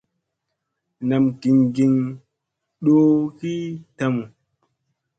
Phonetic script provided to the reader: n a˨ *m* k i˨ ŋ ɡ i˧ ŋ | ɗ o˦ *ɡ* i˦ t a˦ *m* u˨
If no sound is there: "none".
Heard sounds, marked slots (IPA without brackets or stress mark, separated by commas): m, k, m